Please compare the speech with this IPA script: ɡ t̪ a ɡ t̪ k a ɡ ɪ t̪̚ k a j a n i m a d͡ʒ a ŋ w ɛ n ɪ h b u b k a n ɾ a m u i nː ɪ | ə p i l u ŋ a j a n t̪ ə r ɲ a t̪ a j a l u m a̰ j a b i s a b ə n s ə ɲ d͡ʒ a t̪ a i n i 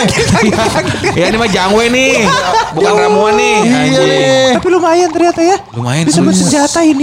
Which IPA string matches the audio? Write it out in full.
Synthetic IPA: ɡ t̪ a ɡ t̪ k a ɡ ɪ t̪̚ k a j a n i m a d͡ʒ a ŋ w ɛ n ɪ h b u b k a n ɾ a m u a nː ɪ | a p i l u m a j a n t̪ ə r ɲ a t̪ a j a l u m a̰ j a b i s a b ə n s ə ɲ d͡ʒ a t̪ a i n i